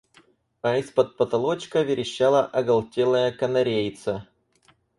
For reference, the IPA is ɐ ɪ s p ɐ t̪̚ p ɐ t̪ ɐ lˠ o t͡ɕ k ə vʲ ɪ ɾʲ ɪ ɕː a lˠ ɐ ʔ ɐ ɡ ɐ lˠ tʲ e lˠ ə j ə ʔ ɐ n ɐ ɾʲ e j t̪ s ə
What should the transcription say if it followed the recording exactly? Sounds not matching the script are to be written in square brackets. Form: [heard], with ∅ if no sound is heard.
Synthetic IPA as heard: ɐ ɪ s p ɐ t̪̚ p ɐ t̪ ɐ lˠ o t͡ɕ k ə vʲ ɪ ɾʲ ɪ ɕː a lˠ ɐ ʔ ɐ ɡ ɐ lˠ tʲ e lˠ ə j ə [k] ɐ n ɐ ɾʲ e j t̪ s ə